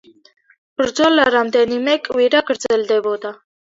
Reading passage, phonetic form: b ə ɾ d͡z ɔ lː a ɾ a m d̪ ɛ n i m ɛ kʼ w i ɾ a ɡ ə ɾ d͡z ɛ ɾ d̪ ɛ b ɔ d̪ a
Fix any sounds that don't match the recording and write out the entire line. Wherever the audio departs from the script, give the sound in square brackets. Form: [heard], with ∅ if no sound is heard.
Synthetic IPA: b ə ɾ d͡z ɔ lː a ɾ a m d̪ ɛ n i m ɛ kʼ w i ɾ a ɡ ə ɾ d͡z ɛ [l] d̪ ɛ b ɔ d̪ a

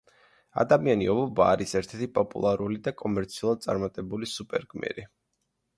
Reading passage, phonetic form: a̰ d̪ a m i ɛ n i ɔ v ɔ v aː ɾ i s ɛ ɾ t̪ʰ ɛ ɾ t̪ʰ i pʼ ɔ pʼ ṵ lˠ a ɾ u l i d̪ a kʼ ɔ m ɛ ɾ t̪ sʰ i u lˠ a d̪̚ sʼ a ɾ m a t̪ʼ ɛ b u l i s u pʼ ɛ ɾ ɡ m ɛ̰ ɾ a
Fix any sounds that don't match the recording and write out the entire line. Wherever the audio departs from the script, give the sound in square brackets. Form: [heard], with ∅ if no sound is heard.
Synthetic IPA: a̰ d̪ a m i [a] n i ɔ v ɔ [b] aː ɾ i s ɛ ɾ t̪ʰ ɛ ɾ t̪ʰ i pʼ ɔ pʼ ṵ lˠ a ɾ u l i d̪ a kʼ ɔ m ɛ ɾ t̪ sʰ i u lˠ a d̪̚ sʼ a ɾ m a t̪ʼ ɛ b u l i s u pʼ ɛ ɾ ɡ m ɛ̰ ɾ [i]

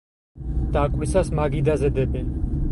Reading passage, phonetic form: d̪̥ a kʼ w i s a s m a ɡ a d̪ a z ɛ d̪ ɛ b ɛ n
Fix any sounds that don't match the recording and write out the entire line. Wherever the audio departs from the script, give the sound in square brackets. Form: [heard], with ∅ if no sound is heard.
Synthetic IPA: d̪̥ a kʼ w i s a s m a ɡ [i] d̪ a z ɛ d̪ ɛ b ɛ n

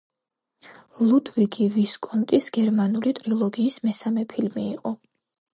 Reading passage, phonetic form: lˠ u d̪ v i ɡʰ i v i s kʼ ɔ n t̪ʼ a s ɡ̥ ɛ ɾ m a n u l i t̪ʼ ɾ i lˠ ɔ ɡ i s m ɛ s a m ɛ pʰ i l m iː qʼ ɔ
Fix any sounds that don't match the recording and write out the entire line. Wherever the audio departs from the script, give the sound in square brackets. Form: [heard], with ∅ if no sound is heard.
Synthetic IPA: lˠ u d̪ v i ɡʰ i v i s kʼ ɔ n t̪ʼ [i] s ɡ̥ ɛ ɾ m a n u l i t̪ʼ ɾ i lˠ ɔ ɡ [iː] s m ɛ s a m ɛ pʰ i l m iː qʼ ɔ

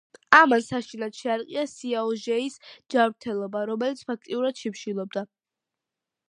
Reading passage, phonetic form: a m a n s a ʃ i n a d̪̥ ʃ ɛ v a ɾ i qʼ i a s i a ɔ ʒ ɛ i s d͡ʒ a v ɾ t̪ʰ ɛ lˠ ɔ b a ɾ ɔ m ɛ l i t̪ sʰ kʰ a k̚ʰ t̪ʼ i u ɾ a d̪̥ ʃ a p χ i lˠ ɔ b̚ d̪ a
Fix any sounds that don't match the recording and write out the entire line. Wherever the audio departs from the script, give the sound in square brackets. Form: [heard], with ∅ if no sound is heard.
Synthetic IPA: a m a n s a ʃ i n a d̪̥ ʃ ɛ [∅] a ɾ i qʼ i a s i a ɔ ʒ ɛ i s d͡ʒ a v ɾ t̪ʰ ɛ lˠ ɔ b a ɾ ɔ m ɛ l i t̪ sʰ [pʰ] a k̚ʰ t̪ʼ i u ɾ a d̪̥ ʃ [i] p [ʃ] i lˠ ɔ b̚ d̪ a

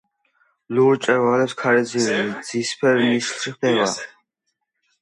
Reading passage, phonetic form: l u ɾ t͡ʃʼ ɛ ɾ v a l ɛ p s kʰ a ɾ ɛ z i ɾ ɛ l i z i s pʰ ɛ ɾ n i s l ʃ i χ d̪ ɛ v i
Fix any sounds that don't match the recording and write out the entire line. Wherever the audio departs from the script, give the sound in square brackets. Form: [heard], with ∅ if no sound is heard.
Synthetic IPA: l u ɾ t͡ʃʼ ɛ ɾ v a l ɛ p s kʰ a ɾ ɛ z i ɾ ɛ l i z i s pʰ ɛ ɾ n i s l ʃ i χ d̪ ɛ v [a]

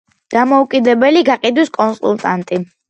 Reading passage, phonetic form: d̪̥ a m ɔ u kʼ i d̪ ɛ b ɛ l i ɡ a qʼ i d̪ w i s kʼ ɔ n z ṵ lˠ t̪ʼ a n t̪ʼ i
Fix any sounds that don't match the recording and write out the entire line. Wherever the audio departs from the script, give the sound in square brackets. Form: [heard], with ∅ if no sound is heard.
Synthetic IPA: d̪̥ a m ɔ u kʼ i d̪ ɛ b ɛ l i ɡ a qʼ i d̪ w i s kʼ ɔ n [s] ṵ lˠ t̪ʼ a n t̪ʼ i

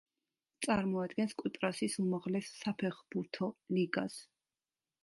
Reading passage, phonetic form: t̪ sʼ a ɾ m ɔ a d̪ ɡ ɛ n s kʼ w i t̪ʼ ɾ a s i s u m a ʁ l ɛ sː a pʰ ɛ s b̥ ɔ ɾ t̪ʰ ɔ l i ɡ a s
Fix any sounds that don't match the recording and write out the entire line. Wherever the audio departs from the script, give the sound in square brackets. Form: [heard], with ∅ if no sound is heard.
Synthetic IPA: t̪ sʼ a ɾ m ɔ a d̪ ɡ ɛ n s kʼ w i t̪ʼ ɾ a s i s u m a ʁ l ɛ sː a pʰ ɛ [χ] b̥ [u] ɾ t̪ʰ ɔ l i ɡ a s

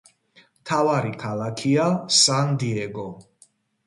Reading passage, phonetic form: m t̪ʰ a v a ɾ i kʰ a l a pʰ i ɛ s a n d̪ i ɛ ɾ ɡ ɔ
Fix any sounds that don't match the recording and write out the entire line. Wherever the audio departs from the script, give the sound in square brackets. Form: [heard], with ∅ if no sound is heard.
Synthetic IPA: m t̪ʰ a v a ɾ i kʰ a l a [kʰ] i [a] s a n d̪ i ɛ [∅] ɡ ɔ

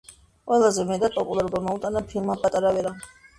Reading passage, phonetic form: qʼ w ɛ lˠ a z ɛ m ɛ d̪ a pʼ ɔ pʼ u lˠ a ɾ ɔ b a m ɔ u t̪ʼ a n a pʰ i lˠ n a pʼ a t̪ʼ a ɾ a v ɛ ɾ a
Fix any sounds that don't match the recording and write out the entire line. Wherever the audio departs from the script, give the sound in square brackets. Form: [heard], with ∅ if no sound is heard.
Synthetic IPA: qʼ w ɛ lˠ a z ɛ m ɛ d̪ a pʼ ɔ pʼ u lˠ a ɾ ɔ b a m ɔ u t̪ʼ a n a pʰ i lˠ [m] a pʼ a t̪ʼ a ɾ a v ɛ ɾ a

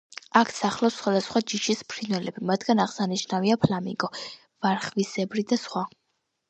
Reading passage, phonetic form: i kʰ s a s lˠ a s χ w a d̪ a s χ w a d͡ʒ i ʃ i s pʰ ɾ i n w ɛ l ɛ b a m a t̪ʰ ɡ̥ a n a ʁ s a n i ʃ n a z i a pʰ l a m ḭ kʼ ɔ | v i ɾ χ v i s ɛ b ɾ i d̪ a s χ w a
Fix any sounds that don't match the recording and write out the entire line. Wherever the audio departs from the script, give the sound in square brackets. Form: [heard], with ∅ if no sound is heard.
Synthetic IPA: [a] kʰ s a [χ] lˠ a s χ w a d̪ a s χ w a d͡ʒ i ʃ i s pʰ ɾ i n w ɛ l ɛ b [i] m a t̪ʰ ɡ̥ a n a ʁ s a n i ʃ n a [v] i a pʰ l a m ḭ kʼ ɔ | v [a] ɾ χ v i s ɛ b ɾ i d̪ a s χ w a

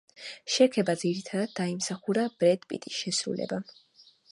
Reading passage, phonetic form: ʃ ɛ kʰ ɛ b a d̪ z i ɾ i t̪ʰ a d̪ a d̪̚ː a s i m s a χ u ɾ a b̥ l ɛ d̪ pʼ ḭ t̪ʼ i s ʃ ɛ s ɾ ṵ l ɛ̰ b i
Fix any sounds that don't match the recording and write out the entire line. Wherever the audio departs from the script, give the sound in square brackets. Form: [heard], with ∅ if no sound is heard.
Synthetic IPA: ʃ ɛ kʰ ɛ b a d̪ z i ɾ i t̪ʰ a d̪ a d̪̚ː a [∅] i m s a χ u ɾ a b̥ [ɾ] ɛ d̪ pʼ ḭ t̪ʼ i s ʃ ɛ s ɾ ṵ l ɛ̰ b [a]

